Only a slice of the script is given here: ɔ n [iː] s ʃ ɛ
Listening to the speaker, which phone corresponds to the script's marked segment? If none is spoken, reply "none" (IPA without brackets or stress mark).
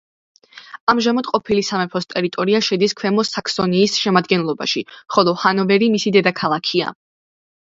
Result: iː